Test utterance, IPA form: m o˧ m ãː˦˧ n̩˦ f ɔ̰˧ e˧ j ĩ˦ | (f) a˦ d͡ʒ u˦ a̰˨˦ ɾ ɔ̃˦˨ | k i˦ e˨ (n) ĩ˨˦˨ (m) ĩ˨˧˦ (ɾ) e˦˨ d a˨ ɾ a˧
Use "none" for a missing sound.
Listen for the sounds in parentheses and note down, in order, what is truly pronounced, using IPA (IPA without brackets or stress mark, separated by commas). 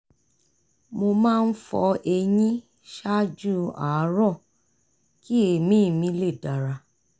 ʃ, m, m, l